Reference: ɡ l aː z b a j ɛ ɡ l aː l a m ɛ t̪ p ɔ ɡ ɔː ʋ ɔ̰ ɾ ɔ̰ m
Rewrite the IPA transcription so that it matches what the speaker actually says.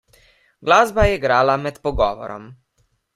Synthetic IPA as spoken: ɡ l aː z b a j ɛ ɡ ɾ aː l a m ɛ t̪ p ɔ ɡ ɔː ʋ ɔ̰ ɾ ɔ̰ m